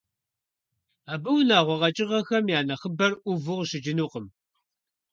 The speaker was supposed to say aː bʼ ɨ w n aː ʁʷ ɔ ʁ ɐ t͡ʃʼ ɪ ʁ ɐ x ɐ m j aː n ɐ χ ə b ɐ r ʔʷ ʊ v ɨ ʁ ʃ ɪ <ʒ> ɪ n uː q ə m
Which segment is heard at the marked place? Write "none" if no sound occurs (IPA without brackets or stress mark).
d͡ʒ